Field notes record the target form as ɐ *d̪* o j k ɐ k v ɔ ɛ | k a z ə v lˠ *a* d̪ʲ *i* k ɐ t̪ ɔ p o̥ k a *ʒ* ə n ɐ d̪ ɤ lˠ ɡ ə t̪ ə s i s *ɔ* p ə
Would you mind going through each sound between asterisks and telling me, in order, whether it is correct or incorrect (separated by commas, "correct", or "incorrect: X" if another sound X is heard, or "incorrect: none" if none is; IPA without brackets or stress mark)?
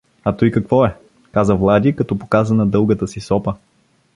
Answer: incorrect: t̪, correct, correct, incorrect: z, correct